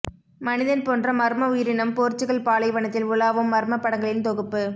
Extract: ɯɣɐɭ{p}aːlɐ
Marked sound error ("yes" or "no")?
no